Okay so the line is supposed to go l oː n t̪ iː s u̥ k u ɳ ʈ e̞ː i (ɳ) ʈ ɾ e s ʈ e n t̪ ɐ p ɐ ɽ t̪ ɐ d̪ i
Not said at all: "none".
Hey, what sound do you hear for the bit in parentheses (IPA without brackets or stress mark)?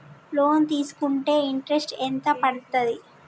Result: ɳ